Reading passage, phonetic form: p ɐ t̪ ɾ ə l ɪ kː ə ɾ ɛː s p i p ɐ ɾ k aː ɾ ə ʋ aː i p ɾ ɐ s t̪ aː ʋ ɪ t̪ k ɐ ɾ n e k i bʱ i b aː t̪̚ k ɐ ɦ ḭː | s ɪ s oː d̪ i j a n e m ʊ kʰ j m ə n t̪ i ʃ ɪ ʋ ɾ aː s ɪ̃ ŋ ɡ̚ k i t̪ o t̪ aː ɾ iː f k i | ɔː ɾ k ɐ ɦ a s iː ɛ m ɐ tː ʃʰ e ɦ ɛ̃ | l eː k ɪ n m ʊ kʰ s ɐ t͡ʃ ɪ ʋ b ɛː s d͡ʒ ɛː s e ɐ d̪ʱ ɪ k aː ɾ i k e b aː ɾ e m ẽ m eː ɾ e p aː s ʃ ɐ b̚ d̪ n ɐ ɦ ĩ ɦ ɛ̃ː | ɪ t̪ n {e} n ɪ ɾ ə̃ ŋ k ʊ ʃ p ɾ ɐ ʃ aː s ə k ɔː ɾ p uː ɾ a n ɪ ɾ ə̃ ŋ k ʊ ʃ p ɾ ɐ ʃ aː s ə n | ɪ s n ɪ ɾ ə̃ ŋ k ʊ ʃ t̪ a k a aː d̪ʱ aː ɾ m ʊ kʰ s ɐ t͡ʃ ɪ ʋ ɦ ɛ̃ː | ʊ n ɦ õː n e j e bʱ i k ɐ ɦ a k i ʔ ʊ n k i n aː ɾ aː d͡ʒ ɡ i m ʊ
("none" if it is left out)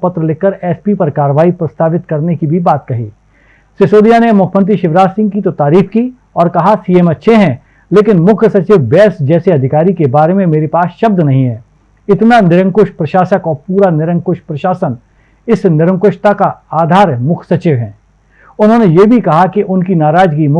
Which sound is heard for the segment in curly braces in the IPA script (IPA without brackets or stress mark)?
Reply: a